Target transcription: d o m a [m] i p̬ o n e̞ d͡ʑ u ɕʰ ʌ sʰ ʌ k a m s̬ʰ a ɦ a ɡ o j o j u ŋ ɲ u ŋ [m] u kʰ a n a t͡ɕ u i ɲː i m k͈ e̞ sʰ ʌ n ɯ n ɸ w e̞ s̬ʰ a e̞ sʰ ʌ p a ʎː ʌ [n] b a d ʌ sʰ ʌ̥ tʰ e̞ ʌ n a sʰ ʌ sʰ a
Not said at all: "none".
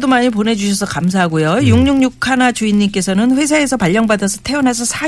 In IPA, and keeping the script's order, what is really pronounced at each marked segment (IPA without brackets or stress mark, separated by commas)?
ɲ, ɲ, ŋ